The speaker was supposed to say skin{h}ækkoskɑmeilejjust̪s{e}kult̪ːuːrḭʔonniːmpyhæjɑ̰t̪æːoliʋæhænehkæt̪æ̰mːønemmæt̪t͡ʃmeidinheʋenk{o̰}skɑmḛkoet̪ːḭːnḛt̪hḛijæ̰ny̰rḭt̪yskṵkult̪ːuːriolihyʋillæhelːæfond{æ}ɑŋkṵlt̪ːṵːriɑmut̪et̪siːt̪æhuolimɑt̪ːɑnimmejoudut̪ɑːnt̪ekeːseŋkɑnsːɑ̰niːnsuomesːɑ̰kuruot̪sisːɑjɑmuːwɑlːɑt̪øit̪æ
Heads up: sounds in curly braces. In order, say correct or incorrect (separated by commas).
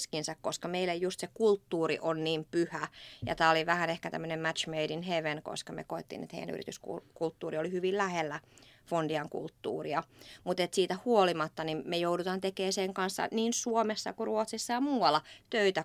incorrect, correct, correct, incorrect